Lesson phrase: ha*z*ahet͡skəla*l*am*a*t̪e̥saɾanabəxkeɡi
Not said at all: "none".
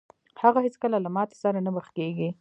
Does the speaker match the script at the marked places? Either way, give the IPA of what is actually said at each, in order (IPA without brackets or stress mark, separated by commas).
ɣ, l, ɑ